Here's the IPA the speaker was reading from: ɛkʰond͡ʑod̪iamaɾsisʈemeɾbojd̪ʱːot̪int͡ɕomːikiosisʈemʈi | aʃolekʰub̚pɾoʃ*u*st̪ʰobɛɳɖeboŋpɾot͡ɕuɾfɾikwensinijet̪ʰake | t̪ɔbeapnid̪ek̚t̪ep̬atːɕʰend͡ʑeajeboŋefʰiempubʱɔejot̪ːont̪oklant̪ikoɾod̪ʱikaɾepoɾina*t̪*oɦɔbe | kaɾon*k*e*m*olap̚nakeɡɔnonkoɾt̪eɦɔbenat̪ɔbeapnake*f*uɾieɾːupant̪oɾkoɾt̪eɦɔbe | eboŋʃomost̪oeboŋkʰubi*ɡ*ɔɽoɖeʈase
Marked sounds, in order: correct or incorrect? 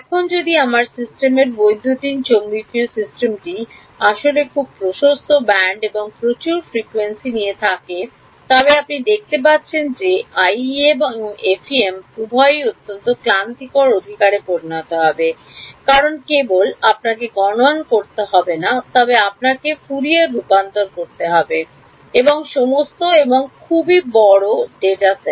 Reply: incorrect, correct, correct, incorrect, correct, incorrect

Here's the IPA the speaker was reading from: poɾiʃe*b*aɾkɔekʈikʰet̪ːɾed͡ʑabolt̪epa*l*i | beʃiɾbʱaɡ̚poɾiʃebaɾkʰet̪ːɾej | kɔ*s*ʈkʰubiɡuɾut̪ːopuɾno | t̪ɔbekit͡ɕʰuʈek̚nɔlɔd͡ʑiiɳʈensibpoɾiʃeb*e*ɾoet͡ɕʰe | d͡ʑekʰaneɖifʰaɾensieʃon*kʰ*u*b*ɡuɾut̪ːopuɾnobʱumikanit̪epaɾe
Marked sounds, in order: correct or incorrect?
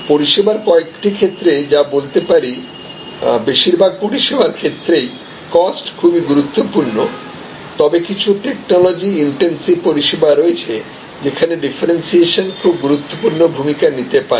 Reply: correct, incorrect, correct, incorrect, correct, correct

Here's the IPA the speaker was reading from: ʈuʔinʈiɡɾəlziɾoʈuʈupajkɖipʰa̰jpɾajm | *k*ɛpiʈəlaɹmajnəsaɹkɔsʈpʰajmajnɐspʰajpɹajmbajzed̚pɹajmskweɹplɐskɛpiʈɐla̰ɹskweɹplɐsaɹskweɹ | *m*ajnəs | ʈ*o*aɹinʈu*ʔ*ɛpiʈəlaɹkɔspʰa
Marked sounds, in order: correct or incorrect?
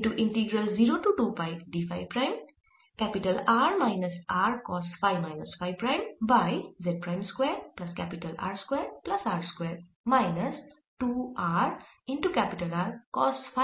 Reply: correct, correct, incorrect, incorrect

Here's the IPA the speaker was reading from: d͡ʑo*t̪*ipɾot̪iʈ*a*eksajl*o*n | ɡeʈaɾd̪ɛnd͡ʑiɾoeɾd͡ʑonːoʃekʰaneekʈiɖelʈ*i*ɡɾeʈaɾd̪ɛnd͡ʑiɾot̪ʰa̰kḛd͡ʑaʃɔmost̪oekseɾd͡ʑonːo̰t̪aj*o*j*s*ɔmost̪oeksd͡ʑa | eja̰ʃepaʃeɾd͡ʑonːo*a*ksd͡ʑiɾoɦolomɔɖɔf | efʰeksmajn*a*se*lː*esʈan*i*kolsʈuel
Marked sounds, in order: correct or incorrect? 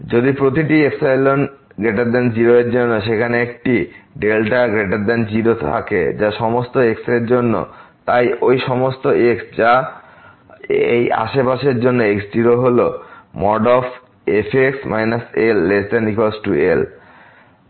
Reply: incorrect, incorrect, correct, incorrect, correct, incorrect, incorrect, correct, correct, correct

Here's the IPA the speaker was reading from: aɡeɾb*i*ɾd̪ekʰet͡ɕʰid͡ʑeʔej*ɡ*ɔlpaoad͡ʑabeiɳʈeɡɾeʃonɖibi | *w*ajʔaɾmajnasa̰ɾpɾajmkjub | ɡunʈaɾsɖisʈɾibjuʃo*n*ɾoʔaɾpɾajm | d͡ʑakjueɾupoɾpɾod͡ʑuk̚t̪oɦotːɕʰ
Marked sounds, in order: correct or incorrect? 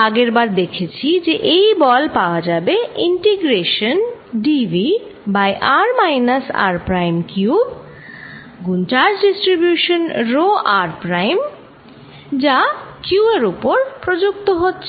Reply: incorrect, incorrect, incorrect, correct

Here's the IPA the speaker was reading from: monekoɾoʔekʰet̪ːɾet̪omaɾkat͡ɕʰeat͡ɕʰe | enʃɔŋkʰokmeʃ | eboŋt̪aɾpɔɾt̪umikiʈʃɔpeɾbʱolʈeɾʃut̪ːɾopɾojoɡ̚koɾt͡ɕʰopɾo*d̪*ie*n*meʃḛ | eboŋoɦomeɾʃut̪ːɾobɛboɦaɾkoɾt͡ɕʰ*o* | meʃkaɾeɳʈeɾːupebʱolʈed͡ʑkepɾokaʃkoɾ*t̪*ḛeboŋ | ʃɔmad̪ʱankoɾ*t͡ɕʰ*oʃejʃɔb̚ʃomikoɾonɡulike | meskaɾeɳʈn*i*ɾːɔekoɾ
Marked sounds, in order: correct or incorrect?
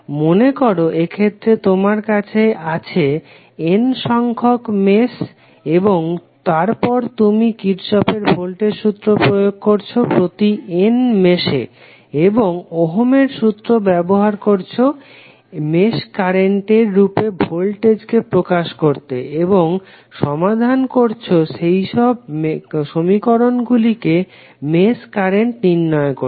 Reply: incorrect, correct, correct, correct, correct, correct

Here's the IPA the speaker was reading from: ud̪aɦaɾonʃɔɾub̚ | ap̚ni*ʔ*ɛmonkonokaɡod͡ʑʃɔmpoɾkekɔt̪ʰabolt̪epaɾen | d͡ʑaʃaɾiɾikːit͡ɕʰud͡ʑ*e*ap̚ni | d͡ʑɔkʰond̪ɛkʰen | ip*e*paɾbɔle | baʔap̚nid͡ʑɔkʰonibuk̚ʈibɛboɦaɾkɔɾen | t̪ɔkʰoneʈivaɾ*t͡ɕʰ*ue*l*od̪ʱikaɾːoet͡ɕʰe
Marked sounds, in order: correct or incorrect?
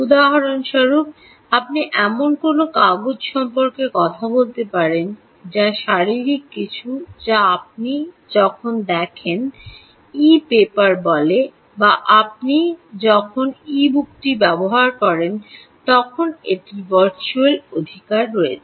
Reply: correct, incorrect, correct, incorrect, correct

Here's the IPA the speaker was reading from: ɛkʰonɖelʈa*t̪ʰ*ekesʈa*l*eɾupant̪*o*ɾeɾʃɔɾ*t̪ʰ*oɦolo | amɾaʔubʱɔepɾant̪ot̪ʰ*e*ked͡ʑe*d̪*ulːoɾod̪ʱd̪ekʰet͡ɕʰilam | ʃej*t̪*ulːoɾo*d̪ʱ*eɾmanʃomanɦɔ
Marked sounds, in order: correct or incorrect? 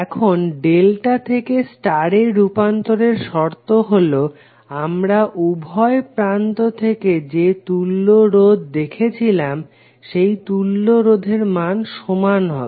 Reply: correct, incorrect, correct, incorrect, correct, incorrect, correct, correct

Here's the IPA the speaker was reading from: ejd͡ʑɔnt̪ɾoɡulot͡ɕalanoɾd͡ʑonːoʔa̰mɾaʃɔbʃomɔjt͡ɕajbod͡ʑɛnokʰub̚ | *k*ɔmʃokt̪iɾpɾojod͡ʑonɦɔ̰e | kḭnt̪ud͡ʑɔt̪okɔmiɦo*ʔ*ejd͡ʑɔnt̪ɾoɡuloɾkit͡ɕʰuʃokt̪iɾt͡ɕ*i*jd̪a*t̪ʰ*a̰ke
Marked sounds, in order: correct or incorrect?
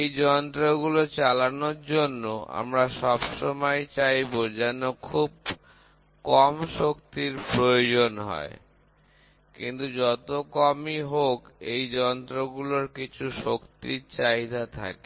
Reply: correct, incorrect, incorrect, correct

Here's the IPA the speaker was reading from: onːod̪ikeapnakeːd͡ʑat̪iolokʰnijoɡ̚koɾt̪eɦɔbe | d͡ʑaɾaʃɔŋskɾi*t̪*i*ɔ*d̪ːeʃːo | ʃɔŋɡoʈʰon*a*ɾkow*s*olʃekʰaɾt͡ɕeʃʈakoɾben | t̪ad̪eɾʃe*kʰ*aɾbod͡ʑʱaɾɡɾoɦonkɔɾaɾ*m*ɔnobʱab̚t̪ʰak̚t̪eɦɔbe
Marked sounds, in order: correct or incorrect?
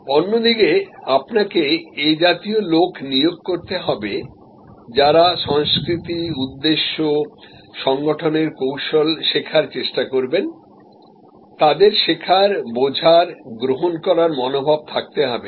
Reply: correct, incorrect, incorrect, incorrect, correct, correct

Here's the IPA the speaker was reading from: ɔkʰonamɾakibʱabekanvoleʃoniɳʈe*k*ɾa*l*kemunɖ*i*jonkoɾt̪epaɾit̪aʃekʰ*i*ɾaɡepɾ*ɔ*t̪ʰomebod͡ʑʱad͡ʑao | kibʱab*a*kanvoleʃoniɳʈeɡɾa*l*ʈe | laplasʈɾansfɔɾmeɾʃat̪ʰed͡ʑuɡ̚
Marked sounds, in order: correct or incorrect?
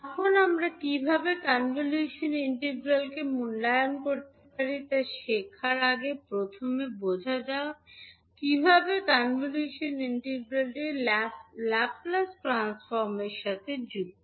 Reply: incorrect, correct, incorrect, incorrect, incorrect, incorrect, correct

